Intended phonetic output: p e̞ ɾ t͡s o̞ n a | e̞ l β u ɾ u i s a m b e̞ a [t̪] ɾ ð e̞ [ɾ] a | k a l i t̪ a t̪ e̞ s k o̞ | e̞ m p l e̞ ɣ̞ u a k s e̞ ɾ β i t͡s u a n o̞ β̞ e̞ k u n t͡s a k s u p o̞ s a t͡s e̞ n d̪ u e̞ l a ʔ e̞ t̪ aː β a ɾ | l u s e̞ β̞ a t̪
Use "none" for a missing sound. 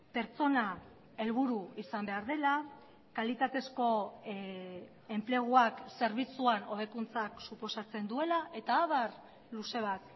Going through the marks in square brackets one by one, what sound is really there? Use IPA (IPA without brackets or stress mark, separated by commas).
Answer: none, l